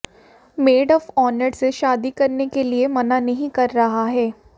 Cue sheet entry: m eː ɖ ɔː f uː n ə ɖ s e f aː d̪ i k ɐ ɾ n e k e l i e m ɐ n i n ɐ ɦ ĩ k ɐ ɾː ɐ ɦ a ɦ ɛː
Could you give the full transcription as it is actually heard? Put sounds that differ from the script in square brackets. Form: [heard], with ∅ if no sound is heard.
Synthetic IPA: m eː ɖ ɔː f [ɔː] n ə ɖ s e [ʃ] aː d̪ i k ɐ ɾ n e k e l i e m ɐ n [a] n ɐ ɦ ĩ k ɐ ɾː ɐ ɦ a ɦ ɛː